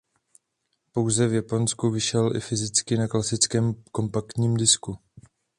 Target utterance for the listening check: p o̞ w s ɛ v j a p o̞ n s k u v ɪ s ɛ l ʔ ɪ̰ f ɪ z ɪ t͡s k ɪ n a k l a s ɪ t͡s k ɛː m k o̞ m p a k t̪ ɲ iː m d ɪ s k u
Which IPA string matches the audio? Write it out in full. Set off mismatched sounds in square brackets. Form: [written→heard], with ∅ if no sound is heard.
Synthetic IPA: p o̞ w [s→z] ɛ v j a p o̞ n s k u v ɪ [s→ʃ] ɛ l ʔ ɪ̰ f ɪ z ɪ t͡s k ɪ n a k l a s ɪ t͡s k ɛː m k o̞ m p a k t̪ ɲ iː m d ɪ s k u